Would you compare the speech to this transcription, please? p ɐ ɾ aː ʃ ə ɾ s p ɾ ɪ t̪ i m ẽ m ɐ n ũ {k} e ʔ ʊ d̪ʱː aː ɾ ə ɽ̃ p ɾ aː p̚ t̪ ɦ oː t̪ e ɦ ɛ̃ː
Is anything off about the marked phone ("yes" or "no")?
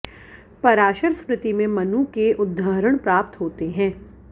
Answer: no